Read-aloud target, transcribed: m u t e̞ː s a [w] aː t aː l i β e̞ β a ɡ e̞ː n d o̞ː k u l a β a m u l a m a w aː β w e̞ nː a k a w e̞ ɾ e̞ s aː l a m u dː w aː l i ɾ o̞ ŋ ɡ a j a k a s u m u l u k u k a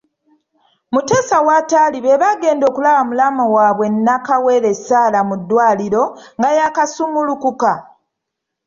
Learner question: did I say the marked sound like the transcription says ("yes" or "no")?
yes